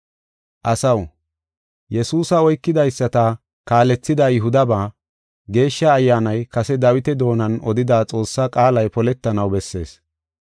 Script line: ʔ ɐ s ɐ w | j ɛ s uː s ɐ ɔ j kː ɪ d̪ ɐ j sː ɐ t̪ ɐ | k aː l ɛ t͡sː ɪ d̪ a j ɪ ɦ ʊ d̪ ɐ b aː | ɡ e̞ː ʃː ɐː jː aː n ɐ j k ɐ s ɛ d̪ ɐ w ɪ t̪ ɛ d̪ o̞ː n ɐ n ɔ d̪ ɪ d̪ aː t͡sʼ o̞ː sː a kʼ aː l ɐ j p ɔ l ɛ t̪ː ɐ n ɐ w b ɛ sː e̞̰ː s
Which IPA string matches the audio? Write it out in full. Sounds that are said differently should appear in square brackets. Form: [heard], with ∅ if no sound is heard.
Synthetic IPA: ʔ ɐ s ɐ w | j ɛ s uː s ɐ ɔ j kː ɪ d̪ ɐ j sː ɐ t̪ ɐ | k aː l ɛ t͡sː ɪ d̪ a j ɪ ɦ ʊ d̪ ɐ b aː | ɡ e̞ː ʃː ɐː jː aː n ɐ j k ɐ s ɛ d̪ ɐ w ɪ t̪ ɛ d̪ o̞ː n ɐ n ɔ d̪ ɪ d̪ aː t͡sʼ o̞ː sː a kʼ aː l ɐ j p ɔ l ɛ t̪ː ɐ n ɐ w b ɛ sː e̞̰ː s

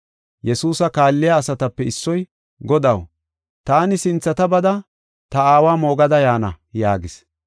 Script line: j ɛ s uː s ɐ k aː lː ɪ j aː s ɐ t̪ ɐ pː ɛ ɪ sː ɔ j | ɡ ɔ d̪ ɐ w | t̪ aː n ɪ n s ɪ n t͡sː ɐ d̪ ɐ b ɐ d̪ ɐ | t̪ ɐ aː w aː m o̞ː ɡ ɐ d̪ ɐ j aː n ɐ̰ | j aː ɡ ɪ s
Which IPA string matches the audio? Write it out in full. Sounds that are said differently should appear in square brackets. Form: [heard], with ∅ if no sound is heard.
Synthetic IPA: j ɛ s uː s ɐ k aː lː ɪ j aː s ɐ t̪ ɐ pː ɛ ɪ sː ɔ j | ɡ ɔ d̪ ɐ w | t̪ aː n ɪ [∅] s ɪ n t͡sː ɐ [t̪] ɐ b ɐ d̪ ɐ | t̪ ɐ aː w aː m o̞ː ɡ ɐ d̪ ɐ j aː n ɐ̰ | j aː ɡ ɪ s

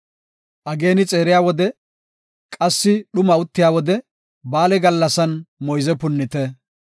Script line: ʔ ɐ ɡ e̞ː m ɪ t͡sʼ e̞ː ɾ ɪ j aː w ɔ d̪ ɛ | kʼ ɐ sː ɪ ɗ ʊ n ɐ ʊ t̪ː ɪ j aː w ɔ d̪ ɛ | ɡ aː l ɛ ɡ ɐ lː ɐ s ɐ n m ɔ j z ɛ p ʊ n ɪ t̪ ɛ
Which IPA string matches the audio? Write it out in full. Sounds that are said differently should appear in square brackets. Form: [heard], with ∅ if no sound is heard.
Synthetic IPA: ʔ ɐ ɡ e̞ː [n] ɪ t͡sʼ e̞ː ɾ ɪ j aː w ɔ d̪ ɛ | kʼ ɐ sː ɪ ɗ ʊ [m] ɐ ʊ t̪ː ɪ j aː w ɔ d̪ ɛ | [b] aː l ɛ ɡ ɐ lː ɐ s ɐ n m ɔ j z ɛ p ʊ [nː] ɪ t̪ ɛ

